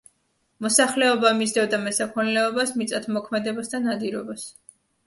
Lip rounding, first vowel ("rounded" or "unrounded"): rounded